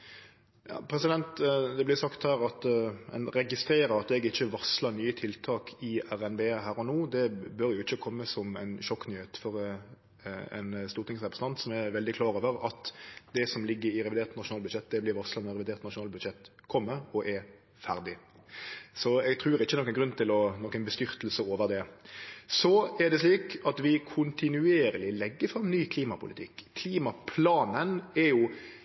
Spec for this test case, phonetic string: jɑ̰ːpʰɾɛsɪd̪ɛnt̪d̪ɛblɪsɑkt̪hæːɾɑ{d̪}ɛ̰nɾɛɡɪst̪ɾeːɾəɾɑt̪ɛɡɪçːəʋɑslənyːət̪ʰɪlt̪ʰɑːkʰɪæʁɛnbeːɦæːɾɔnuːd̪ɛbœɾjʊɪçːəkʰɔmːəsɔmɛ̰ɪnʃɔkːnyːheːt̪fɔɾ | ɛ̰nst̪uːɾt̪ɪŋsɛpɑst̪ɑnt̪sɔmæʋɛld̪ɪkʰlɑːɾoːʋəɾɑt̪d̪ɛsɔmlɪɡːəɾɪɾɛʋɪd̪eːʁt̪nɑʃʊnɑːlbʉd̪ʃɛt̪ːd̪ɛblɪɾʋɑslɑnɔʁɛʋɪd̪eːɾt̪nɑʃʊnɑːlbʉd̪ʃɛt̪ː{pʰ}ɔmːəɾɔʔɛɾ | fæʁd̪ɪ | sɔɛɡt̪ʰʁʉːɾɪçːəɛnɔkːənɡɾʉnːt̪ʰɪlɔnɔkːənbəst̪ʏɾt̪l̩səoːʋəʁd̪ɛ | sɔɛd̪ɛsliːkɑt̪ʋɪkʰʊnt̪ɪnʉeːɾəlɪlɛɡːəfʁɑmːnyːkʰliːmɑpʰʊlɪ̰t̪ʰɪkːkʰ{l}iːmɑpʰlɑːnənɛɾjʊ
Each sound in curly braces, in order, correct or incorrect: incorrect, incorrect, correct

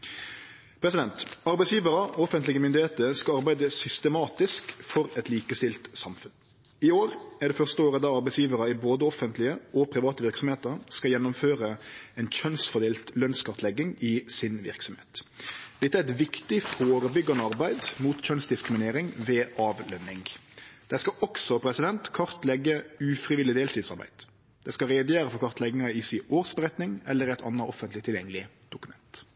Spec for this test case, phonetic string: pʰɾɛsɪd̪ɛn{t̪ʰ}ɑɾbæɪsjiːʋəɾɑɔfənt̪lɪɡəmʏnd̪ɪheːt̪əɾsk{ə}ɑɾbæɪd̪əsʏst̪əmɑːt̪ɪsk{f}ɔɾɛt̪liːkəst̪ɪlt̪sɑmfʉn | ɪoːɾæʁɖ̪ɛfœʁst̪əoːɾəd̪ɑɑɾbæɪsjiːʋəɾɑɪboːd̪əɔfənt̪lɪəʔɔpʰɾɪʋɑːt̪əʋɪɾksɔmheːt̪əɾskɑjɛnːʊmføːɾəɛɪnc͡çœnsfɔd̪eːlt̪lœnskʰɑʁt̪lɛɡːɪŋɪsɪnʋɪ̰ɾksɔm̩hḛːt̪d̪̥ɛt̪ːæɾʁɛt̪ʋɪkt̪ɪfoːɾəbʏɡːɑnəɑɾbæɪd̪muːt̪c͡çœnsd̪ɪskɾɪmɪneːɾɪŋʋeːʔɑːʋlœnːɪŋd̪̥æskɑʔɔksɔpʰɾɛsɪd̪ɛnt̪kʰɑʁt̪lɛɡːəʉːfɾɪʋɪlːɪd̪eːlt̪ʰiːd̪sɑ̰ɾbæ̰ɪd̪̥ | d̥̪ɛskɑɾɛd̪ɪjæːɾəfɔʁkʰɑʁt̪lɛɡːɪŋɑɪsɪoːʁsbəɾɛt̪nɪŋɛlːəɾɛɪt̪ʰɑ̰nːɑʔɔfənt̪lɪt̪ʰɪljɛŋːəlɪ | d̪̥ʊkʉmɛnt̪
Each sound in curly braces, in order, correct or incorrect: incorrect, incorrect, correct

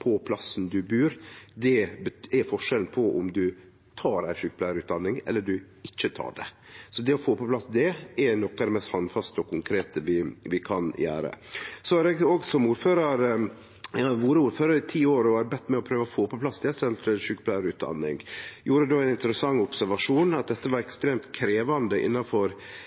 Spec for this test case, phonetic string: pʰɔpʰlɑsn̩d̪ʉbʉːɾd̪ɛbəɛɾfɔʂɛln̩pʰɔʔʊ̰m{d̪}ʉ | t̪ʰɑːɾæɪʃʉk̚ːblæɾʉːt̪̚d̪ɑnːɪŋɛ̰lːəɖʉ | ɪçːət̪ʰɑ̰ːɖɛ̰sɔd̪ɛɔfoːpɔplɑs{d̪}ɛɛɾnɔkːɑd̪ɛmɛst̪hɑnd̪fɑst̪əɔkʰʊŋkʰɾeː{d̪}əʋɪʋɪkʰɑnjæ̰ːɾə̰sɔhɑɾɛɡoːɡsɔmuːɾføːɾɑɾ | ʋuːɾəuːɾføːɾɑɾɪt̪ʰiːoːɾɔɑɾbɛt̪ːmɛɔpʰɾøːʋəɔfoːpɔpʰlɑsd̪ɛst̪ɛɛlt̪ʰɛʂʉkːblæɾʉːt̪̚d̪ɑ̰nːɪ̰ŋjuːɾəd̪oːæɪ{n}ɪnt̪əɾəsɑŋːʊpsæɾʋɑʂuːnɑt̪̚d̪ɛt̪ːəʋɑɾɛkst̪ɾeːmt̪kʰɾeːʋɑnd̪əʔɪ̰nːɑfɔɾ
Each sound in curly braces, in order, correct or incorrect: correct, correct, incorrect, correct

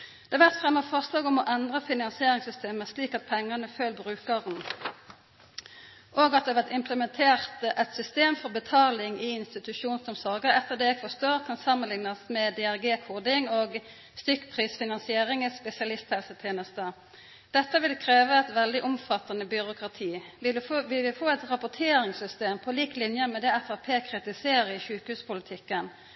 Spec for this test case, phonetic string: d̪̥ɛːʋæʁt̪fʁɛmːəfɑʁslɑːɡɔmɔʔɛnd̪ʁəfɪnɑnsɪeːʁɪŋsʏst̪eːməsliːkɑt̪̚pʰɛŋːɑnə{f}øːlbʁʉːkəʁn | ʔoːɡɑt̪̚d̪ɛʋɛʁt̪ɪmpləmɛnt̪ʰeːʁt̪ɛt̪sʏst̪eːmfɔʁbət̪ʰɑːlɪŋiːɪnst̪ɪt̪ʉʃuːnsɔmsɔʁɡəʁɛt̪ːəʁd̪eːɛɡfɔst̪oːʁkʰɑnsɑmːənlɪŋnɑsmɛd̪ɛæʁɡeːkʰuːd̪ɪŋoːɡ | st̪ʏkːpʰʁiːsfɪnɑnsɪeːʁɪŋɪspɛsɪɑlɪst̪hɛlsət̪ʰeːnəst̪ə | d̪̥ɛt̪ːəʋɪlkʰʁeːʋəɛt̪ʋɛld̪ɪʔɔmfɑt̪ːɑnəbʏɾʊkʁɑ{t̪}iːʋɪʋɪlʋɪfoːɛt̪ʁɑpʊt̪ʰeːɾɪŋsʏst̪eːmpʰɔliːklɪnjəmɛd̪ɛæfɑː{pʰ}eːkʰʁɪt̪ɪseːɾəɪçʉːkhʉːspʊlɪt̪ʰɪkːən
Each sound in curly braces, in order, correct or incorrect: correct, incorrect, correct

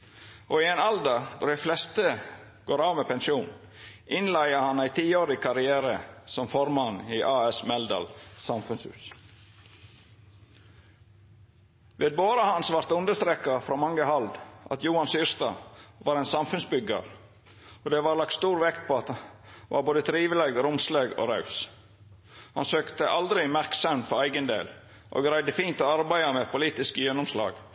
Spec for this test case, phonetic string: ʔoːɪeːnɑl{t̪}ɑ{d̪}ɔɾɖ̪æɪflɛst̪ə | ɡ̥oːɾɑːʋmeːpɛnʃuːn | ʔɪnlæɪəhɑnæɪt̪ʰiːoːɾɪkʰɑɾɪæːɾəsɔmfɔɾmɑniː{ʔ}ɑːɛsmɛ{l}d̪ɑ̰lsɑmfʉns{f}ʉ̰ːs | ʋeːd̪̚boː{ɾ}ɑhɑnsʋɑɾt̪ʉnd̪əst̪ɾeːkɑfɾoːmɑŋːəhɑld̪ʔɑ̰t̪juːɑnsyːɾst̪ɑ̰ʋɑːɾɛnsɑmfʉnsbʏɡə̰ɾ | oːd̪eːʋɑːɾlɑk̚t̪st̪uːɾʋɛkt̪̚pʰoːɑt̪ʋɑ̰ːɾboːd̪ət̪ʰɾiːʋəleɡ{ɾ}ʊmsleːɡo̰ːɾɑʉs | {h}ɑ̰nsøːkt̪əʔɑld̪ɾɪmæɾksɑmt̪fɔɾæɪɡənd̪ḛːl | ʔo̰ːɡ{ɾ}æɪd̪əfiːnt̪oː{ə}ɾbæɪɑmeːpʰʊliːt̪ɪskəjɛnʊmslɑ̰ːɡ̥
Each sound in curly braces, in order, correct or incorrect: incorrect, correct, correct, correct, incorrect, correct, correct, correct, correct, incorrect

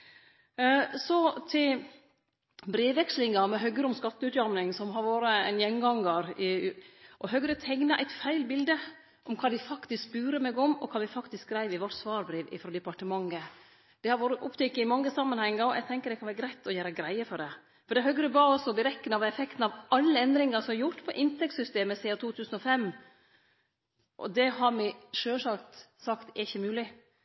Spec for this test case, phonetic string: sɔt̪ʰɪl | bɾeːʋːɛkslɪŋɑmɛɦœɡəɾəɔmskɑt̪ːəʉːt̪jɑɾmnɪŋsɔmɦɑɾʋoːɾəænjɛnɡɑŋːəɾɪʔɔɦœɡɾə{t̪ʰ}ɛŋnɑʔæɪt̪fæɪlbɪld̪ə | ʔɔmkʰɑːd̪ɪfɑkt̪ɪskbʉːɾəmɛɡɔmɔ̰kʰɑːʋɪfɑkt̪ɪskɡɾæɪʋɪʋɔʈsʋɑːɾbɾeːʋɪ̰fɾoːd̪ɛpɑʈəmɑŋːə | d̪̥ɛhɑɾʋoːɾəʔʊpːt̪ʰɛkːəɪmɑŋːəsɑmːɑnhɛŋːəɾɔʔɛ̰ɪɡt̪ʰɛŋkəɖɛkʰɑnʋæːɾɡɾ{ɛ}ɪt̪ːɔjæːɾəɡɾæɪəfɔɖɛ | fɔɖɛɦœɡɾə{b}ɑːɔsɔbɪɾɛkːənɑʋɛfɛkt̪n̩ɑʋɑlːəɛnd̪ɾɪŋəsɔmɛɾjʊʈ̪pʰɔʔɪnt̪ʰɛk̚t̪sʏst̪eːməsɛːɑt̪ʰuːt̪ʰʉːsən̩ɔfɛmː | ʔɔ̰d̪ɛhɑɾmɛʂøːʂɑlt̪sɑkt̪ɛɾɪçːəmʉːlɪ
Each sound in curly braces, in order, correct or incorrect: correct, incorrect, correct

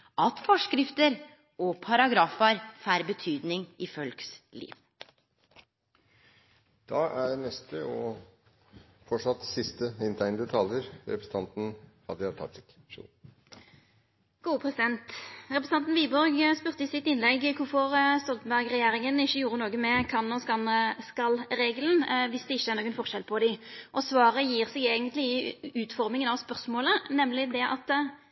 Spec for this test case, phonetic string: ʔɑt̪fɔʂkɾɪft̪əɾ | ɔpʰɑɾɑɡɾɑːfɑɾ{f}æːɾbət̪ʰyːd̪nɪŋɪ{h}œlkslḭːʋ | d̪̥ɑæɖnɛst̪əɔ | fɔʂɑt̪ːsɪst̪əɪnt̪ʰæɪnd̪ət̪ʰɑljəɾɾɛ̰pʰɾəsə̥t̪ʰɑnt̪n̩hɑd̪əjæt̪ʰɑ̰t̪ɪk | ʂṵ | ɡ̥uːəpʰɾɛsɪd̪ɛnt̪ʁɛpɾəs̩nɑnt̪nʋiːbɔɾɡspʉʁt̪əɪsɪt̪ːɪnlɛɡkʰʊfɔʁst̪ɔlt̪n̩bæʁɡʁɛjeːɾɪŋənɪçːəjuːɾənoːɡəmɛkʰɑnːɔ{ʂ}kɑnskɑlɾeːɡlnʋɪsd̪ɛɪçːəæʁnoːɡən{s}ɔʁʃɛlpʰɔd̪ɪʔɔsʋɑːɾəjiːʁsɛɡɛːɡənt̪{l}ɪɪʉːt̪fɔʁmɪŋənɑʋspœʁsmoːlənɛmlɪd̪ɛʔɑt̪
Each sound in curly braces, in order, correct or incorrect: correct, incorrect, incorrect, incorrect, correct

